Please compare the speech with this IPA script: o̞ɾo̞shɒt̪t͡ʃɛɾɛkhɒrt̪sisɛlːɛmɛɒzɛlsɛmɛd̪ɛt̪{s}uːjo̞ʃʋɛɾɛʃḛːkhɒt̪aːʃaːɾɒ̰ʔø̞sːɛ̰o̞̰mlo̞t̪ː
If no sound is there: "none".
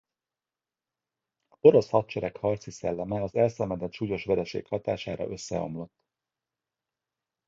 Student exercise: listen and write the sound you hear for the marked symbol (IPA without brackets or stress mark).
ʃ